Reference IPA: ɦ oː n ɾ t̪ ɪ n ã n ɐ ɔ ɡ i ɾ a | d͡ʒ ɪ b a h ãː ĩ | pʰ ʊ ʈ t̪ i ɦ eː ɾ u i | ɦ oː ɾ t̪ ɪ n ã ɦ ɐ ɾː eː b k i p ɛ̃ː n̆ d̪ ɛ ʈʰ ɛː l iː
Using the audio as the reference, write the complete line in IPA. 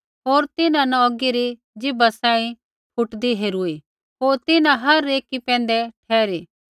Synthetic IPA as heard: ɦ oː ɾ t̪ ɪ n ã n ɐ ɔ ɡ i ɾ i | d͡ʒ ɪ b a s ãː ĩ | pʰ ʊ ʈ d̪ i ɦ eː ɾ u i | ɦ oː ɾ t̪ ɪ n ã ɦ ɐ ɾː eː k i p ɛ̃ː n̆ d̪ ɛ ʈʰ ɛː ɾ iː